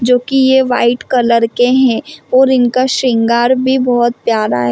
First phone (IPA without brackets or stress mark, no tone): d͡ʒ